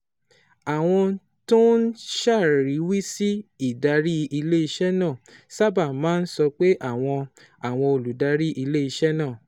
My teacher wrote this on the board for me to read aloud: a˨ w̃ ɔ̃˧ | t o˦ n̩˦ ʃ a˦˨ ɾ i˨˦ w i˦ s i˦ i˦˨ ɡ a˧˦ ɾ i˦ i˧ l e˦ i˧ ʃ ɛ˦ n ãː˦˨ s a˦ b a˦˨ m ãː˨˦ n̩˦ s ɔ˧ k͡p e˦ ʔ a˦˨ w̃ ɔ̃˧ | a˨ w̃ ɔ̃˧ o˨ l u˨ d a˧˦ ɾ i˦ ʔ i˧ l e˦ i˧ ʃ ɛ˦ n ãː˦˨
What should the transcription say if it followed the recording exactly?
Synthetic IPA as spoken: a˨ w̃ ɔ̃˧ | t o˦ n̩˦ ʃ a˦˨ ɾ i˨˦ w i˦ s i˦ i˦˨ d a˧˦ ɾ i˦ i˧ l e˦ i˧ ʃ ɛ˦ n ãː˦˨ s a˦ b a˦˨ m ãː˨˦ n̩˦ s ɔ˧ k͡p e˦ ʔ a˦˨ w̃ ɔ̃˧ | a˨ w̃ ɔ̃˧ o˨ l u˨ d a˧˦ ɾ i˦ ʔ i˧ l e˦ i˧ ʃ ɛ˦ n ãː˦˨